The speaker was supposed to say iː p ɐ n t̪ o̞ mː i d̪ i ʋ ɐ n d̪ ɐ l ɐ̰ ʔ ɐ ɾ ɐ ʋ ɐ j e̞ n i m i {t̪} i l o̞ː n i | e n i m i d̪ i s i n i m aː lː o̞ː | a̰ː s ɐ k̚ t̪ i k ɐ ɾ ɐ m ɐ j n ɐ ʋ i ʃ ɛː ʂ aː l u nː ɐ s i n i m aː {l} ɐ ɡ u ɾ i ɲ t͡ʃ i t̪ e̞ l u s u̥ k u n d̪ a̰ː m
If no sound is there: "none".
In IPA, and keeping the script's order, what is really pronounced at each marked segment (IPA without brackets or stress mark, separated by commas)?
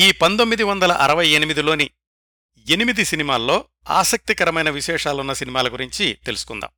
d̪, l